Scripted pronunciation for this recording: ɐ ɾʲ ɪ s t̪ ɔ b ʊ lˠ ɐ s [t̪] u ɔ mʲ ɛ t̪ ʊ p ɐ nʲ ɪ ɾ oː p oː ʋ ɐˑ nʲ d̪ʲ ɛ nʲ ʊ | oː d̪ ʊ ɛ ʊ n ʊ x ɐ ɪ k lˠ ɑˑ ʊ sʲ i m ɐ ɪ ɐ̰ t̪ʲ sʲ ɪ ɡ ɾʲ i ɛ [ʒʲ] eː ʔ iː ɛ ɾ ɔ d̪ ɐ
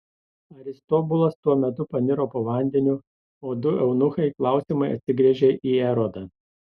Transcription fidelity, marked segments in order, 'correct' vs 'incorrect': correct, correct

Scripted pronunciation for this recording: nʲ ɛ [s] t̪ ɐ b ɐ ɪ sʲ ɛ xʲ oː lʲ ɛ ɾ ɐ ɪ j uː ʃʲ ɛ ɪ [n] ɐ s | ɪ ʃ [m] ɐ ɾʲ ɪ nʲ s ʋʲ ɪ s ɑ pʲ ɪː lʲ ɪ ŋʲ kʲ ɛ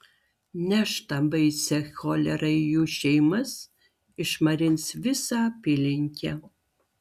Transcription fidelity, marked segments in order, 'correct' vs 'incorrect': incorrect: ʃ, incorrect: m, correct

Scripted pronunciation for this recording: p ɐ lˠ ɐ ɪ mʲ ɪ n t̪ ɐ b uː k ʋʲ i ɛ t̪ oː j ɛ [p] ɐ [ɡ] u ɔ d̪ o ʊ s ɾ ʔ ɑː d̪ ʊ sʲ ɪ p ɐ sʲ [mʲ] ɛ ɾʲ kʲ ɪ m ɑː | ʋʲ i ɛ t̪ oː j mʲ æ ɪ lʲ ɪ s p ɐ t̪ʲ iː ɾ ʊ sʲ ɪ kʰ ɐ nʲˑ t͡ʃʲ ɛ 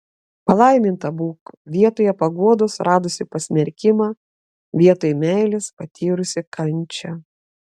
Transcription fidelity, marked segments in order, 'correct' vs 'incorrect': correct, correct, correct

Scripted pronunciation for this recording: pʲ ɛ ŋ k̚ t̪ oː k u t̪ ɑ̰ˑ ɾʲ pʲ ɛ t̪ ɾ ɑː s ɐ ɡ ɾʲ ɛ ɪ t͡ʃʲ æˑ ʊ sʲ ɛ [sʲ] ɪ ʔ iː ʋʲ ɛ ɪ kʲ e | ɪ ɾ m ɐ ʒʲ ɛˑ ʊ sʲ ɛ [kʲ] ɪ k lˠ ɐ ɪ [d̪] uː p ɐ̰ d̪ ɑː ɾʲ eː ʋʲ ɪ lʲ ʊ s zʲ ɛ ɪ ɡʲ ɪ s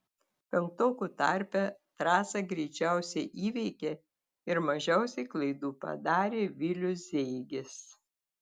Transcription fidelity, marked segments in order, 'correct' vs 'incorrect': incorrect: none, incorrect: none, correct

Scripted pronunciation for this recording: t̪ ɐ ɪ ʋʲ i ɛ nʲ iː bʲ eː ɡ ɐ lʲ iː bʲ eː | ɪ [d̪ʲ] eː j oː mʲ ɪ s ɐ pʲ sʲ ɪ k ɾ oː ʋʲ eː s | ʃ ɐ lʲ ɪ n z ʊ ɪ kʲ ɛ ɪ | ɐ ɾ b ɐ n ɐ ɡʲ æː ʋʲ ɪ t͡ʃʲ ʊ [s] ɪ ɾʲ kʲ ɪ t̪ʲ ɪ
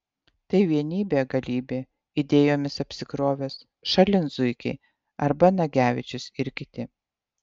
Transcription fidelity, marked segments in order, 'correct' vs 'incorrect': correct, correct

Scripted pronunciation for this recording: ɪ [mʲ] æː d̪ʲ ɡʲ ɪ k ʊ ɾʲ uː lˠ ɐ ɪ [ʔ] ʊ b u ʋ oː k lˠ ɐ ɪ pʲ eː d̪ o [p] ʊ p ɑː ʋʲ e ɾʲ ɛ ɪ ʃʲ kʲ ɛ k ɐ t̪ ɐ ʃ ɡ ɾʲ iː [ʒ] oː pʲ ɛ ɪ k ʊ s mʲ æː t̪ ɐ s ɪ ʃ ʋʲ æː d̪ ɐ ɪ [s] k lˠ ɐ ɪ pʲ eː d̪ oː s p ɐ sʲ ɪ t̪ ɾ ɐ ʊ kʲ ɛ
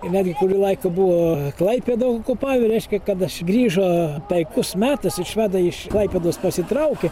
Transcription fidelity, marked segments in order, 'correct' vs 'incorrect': incorrect: nʲ, incorrect: k, incorrect: k, correct, incorrect: ʃ

